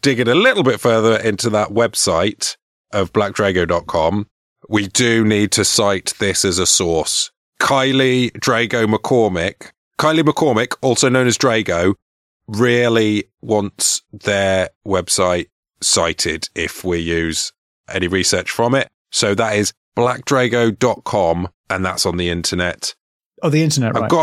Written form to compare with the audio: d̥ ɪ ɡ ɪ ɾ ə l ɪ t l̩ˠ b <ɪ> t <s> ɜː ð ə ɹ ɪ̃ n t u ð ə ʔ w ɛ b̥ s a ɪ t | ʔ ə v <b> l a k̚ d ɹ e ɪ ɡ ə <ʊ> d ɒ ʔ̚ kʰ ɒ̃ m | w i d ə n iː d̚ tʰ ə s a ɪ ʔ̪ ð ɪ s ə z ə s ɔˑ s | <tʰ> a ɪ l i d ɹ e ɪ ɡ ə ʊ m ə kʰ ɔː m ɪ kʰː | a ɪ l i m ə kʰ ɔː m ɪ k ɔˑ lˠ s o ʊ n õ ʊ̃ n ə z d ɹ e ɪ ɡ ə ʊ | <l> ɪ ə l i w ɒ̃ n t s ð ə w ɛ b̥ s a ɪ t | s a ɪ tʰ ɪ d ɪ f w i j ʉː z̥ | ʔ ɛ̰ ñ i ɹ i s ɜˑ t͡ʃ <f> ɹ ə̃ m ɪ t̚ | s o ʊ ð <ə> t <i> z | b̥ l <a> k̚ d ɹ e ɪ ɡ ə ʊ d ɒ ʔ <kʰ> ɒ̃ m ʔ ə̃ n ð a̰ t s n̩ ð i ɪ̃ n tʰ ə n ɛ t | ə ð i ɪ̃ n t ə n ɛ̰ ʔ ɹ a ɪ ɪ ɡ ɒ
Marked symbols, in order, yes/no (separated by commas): yes, no, yes, yes, no, no, yes, yes, no, yes, yes